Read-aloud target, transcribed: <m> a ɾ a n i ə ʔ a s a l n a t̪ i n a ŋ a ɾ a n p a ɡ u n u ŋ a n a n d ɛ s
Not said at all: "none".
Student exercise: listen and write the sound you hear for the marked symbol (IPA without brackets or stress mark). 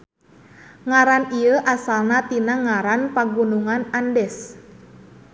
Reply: ŋ